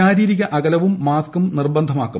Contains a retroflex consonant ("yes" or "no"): no